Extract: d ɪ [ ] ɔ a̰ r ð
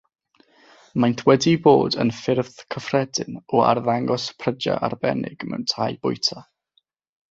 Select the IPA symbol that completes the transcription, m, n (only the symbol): n